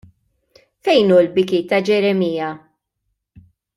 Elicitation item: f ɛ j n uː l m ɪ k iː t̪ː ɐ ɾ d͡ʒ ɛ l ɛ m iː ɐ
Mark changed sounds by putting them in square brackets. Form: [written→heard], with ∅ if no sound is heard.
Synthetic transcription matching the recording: f ɛ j n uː l [m→b] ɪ k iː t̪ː ɐ [ɾ→∅] d͡ʒ ɛ [l→ɾ] ɛ m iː ɐ